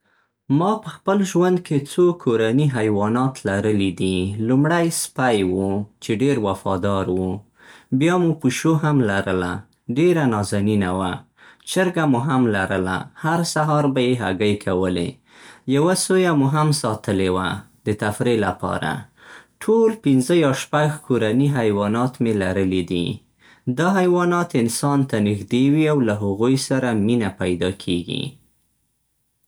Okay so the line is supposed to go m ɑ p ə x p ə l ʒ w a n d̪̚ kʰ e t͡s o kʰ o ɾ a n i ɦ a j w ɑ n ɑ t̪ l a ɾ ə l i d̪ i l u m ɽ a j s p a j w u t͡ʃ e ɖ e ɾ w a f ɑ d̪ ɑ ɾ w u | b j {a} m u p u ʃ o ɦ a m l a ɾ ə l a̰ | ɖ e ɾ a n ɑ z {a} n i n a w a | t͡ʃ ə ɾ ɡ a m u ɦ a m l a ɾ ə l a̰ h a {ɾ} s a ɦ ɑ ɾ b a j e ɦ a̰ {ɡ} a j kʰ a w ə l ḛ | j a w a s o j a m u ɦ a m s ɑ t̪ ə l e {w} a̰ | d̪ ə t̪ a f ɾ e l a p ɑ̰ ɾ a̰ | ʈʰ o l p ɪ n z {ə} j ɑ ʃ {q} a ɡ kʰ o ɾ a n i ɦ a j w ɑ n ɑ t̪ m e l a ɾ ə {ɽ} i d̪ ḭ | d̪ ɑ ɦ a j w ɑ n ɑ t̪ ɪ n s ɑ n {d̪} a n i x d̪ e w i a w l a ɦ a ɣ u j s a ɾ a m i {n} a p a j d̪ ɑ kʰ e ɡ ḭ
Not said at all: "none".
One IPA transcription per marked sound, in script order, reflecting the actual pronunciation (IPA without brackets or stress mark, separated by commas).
ɑ, a, ɾ, ɡ, w, ə, p, l, t̪, n